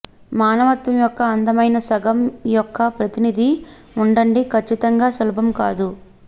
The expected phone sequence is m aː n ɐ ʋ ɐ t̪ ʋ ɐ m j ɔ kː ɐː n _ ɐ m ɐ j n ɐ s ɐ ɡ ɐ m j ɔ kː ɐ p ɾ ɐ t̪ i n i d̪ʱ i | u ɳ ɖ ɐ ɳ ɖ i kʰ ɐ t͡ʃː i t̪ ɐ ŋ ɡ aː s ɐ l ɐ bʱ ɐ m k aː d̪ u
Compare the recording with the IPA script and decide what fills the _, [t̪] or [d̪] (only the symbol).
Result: d̪